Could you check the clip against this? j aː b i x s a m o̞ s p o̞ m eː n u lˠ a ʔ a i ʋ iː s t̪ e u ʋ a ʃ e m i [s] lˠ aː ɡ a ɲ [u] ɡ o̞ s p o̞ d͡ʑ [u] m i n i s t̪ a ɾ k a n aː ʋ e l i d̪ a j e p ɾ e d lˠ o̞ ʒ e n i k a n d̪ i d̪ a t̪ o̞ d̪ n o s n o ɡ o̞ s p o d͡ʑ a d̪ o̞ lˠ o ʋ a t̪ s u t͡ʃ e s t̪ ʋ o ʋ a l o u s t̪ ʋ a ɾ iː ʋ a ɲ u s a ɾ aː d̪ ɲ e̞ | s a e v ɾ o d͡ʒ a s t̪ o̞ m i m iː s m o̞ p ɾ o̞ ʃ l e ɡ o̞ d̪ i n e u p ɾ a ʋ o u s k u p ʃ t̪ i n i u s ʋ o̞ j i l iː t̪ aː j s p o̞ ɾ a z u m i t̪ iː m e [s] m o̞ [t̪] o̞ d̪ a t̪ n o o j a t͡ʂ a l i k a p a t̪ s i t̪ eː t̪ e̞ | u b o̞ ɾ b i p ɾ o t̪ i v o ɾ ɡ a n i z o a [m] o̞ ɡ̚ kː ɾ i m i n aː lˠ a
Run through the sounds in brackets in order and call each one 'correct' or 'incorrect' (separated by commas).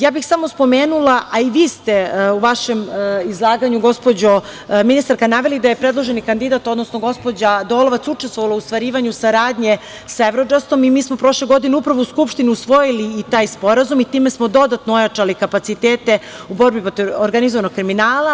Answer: incorrect, correct, incorrect, correct, incorrect, incorrect